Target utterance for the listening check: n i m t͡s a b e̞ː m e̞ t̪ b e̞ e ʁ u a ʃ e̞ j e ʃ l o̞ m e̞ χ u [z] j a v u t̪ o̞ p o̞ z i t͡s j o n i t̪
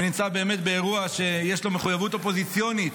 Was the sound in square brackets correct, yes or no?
no